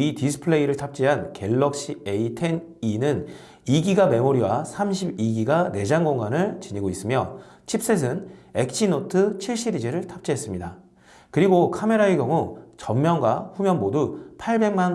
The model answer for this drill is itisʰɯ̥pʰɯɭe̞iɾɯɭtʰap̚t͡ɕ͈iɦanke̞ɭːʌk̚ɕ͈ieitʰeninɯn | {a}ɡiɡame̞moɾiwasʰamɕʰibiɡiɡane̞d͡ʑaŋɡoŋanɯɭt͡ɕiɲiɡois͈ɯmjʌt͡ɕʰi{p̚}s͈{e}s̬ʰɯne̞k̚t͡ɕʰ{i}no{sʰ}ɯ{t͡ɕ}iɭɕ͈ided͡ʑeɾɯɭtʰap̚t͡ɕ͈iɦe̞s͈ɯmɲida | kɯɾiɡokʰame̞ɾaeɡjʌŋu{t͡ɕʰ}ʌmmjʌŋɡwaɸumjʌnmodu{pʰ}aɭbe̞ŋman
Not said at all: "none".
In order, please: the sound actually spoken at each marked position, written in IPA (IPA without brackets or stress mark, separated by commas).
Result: i, p̚, e, i, tʰ, t͡ɕʰ, t͡ɕ, pʰ